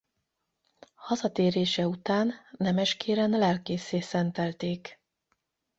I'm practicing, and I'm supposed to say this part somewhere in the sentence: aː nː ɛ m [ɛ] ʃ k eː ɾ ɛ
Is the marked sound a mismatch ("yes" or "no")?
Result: no